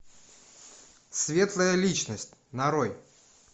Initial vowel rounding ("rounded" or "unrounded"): unrounded